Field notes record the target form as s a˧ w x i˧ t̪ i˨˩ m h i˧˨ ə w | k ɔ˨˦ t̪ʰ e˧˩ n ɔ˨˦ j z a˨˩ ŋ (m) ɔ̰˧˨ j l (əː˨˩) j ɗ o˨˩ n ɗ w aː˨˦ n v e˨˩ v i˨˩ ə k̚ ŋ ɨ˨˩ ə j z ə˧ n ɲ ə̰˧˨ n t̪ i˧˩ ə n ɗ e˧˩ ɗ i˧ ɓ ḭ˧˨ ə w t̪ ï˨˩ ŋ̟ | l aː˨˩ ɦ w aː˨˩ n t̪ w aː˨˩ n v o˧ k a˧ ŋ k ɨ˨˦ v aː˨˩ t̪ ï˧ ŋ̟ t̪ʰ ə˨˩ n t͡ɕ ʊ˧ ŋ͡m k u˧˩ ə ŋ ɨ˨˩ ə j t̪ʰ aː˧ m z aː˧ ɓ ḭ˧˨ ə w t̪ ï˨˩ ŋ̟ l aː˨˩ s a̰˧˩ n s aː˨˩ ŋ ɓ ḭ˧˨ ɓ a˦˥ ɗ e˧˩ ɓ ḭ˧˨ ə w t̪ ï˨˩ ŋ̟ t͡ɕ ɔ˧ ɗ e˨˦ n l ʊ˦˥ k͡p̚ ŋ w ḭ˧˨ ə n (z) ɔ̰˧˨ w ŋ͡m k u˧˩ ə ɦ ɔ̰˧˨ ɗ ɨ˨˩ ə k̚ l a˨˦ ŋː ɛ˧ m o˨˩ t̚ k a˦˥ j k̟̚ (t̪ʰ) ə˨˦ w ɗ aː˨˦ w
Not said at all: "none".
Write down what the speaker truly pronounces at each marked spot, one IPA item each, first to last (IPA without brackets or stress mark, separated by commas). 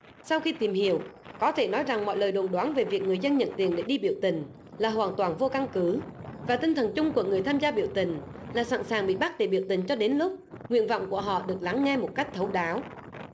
m, əː˨˩, v, t̪ʰ